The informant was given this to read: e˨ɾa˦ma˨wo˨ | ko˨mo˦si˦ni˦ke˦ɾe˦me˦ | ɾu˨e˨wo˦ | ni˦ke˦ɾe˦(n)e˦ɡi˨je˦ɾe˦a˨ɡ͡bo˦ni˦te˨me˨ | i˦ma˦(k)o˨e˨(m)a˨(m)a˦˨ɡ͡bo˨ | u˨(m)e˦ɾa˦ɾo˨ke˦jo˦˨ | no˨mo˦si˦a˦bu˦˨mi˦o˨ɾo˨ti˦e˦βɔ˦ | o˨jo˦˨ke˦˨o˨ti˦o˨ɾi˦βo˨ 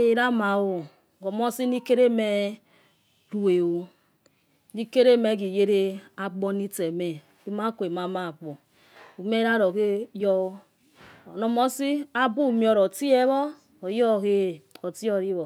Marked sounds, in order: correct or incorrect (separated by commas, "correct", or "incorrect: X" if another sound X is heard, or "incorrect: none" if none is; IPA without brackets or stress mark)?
incorrect: m, correct, correct, correct, correct